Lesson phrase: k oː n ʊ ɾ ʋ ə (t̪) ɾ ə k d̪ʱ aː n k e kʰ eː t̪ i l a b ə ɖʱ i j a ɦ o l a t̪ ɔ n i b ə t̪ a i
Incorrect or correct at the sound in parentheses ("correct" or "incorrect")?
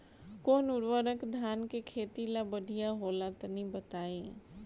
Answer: incorrect